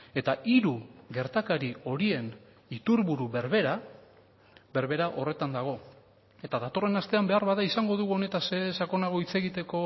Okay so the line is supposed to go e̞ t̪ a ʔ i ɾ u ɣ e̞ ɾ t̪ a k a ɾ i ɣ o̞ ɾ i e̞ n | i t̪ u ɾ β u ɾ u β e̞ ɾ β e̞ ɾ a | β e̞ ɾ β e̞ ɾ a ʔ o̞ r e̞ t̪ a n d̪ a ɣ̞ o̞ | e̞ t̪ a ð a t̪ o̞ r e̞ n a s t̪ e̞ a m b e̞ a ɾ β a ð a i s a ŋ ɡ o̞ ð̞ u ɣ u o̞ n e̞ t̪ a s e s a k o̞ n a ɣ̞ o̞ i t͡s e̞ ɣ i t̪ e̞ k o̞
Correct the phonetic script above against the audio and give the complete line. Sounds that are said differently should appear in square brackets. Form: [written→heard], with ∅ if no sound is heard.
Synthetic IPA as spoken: e̞ t̪ a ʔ i ɾ u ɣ e̞ ɾ t̪ a k a ɾ i [ɣ→∅] o̞ ɾ i e̞ n | i t̪ u ɾ β u ɾ u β e̞ ɾ β e̞ ɾ a | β e̞ ɾ β e̞ ɾ a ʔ o̞ r e̞ t̪ a n d̪ a ɣ̞ o̞ | e̞ t̪ a ð a t̪ o̞ r e̞ n a s t̪ e̞ a m b e̞ a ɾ β a ð a i s a ŋ ɡ o̞ ð̞ u ɣ u o̞ n e̞ t̪ a s e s a k o̞ n a ɣ̞ o̞ i t͡s e̞ ɣ i t̪ e̞ k o̞

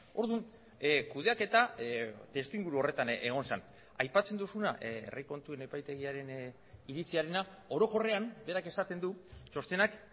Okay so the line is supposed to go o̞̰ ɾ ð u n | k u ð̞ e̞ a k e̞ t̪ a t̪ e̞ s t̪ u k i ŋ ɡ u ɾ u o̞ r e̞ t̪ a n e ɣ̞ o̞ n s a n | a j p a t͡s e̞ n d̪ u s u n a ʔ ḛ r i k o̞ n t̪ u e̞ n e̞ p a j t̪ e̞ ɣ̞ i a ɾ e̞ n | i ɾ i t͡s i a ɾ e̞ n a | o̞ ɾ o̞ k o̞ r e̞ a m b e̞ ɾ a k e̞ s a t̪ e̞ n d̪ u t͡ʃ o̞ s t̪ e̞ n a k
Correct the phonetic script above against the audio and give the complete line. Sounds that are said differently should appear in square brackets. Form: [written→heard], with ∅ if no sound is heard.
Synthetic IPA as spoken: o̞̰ ɾ ð u n | k u ð̞ e̞ a k e̞ t̪ a t̪ e̞ s t̪ u [k→∅] i ŋ ɡ u ɾ u o̞ r e̞ t̪ a n e ɣ̞ o̞ n s a n | a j p a t͡s e̞ n d̪ u s u n a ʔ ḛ r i k o̞ n t̪ u e̞ n e̞ p a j t̪ e̞ ɣ̞ i a ɾ e̞ n | i ɾ i t͡s i a ɾ e̞ n a | o̞ ɾ o̞ k o̞ r e̞ a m b e̞ ɾ a k e̞ s a t̪ e̞ n d̪ u t͡ʃ o̞ s t̪ e̞ n a k

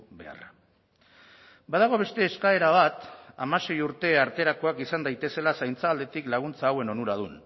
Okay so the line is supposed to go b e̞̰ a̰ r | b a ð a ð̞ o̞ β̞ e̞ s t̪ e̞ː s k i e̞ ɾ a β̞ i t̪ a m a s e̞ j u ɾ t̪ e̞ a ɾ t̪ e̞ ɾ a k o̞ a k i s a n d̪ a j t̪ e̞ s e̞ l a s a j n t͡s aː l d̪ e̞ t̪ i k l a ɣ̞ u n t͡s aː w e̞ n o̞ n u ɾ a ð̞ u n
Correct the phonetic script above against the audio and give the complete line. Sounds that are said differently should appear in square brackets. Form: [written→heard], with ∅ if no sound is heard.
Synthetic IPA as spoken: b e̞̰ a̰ r | b a ð a [ð̞→ɣ̞] o̞ β̞ e̞ s t̪ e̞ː s k [i→a] e̞ ɾ a β̞ [i→a] t̪ a m a s e̞ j u ɾ t̪ e̞ a ɾ t̪ e̞ ɾ a k o̞ a k i s a n d̪ a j t̪ e̞ s e̞ l a s a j n t͡s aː l d̪ e̞ t̪ i k l a ɣ̞ u n t͡s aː w e̞ n o̞ n u ɾ a ð̞ u n

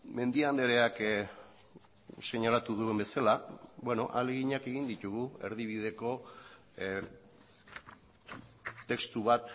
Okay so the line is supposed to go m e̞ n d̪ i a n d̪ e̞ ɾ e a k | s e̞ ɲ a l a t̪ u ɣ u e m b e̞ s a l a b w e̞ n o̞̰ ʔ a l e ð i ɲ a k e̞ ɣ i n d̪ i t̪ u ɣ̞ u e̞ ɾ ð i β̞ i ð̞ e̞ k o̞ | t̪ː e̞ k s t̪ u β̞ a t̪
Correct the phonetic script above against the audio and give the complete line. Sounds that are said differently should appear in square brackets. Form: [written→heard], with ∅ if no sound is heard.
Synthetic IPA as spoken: m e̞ n d̪ i a n d̪ e̞ ɾ e a k | s e̞ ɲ a l a t̪ u [ɣ→ð] u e m b e̞ s a l a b w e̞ n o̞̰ ʔ a l e [ð→ɣ] i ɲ a k e̞ ɣ i n d̪ i t̪ u ɣ̞ u e̞ ɾ ð i β̞ i ð̞ e̞ k o̞ | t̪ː e̞ k s t̪ u β̞ a t̪

